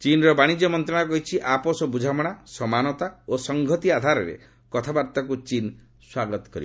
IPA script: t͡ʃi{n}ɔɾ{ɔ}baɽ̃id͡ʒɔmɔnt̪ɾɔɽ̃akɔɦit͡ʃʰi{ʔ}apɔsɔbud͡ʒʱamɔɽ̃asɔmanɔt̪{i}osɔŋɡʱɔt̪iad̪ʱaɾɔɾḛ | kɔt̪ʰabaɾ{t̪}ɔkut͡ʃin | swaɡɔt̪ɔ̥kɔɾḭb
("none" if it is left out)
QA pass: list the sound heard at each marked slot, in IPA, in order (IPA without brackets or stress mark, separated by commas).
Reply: n, ɔ, ʔ, a, t̪